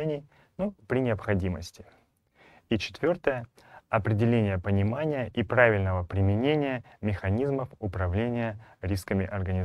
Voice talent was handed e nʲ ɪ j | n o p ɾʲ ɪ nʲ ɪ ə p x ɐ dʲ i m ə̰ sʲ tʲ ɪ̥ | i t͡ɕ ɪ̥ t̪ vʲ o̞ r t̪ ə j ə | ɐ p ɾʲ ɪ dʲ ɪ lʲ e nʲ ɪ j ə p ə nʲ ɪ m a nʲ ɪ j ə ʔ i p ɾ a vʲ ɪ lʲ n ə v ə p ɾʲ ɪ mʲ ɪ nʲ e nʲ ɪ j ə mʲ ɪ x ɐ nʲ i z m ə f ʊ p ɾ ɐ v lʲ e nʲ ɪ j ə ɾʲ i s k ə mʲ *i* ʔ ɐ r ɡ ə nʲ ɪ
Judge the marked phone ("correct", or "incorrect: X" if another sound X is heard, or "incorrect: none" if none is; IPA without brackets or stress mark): incorrect: ɪ